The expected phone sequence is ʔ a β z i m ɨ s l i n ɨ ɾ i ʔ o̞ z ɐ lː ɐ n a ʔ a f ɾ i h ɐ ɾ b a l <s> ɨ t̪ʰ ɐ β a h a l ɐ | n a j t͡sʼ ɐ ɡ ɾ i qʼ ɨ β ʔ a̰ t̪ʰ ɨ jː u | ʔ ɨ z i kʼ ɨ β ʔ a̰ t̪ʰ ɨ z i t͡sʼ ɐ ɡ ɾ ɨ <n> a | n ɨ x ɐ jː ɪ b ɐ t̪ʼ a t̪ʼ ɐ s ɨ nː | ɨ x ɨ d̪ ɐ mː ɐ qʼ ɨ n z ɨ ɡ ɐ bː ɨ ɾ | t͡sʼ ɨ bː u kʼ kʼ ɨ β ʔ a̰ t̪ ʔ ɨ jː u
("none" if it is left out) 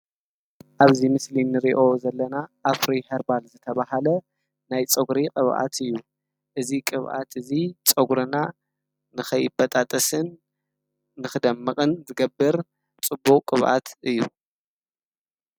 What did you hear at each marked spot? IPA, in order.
z, n

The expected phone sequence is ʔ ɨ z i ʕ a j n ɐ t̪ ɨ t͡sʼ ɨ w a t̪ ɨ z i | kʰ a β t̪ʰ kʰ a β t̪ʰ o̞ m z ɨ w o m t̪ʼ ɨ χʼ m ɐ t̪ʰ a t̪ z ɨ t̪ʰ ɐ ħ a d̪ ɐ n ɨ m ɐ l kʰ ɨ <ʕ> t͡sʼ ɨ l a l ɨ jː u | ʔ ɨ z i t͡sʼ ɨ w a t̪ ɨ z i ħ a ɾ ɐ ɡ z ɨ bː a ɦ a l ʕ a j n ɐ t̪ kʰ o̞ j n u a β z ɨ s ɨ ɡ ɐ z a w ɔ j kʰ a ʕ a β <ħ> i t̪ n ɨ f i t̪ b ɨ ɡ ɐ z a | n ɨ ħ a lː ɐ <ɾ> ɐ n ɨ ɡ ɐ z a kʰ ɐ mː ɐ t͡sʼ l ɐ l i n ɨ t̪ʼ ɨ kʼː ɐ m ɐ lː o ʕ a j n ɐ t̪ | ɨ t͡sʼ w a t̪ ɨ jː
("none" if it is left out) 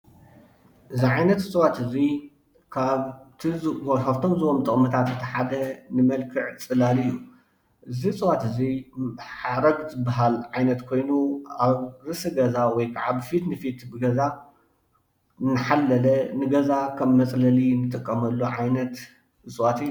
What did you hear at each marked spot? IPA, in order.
ʕ, f, l

